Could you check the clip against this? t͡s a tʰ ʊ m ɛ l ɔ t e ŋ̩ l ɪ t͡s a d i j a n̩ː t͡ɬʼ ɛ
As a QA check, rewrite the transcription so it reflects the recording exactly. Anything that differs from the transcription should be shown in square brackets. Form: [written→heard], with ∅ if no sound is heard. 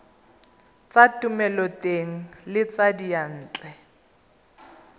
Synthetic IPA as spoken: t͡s a [tʰ→t] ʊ m ɛ l ɔ t e ŋ̩ l ɪ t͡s a d i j a n̩ː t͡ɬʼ ɛ